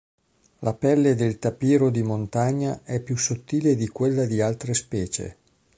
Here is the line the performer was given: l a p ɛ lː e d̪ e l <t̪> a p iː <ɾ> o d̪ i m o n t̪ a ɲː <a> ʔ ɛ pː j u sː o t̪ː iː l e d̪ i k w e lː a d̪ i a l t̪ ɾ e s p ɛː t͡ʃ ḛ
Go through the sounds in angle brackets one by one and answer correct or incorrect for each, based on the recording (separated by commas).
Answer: correct, correct, correct